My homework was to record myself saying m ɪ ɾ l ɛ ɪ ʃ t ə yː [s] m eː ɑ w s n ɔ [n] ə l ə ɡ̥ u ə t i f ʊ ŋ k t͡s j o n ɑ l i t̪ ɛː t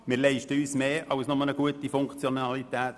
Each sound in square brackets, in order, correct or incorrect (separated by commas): correct, incorrect